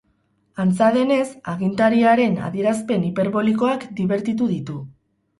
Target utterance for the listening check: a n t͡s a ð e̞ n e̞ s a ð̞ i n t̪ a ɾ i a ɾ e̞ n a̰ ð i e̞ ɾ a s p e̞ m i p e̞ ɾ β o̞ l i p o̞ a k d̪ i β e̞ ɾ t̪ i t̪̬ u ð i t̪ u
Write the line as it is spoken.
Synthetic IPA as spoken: a n t͡s a ð e̞ n e̞ s a ɣ̞ i n t̪ a ɾ i a ɾ e̞ n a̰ ð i e̞ ɾ a s p e̞ n i p e̞ ɾ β o̞ l i k o̞ a k d̪ i β e̞ ɾ t̪ i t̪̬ u ð i t̪ u